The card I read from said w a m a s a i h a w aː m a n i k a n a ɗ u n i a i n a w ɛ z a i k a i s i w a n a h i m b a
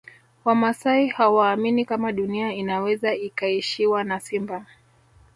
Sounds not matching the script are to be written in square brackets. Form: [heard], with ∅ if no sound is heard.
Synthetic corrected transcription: w a m a s a i h a w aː m [i] n i k a [m] a ɗ u n i a i n a w ɛ z a i k a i [ʃ] i w a n a [s] i m b a